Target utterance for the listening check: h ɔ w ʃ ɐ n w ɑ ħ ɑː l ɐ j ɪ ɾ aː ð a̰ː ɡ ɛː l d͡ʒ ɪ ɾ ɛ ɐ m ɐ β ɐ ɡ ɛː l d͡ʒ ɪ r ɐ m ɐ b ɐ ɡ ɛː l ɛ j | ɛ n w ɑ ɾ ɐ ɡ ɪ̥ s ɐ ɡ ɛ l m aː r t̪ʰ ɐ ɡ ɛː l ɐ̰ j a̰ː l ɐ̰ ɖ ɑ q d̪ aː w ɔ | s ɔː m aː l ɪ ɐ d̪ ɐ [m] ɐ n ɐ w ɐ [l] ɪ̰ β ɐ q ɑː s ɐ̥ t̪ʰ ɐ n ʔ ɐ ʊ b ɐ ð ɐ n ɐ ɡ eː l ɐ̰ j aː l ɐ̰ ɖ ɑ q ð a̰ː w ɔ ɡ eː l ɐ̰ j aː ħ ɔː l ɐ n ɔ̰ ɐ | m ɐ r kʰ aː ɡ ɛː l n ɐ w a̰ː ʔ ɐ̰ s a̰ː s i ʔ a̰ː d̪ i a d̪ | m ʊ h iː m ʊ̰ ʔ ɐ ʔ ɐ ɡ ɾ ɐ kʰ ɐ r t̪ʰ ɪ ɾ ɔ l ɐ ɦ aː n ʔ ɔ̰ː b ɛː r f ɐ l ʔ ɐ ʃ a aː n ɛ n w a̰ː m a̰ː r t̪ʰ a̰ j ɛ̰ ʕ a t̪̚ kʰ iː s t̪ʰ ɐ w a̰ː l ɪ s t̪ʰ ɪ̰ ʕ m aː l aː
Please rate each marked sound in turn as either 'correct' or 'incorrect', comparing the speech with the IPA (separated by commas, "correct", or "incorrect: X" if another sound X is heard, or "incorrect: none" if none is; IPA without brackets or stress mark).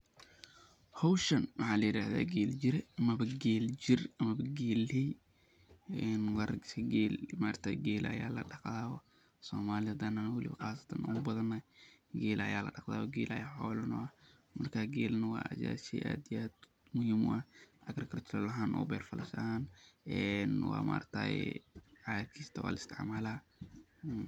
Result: incorrect: n, correct